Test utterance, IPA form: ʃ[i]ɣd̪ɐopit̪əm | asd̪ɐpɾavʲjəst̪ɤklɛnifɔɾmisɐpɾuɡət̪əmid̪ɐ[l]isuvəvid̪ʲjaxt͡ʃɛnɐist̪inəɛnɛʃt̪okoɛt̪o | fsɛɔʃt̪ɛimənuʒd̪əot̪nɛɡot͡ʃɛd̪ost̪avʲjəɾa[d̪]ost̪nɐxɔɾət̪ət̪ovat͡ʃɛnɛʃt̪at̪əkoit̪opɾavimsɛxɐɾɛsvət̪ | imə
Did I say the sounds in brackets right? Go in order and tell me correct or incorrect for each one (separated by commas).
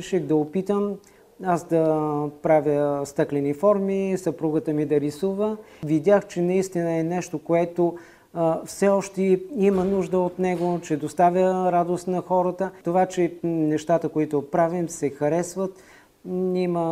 incorrect, incorrect, correct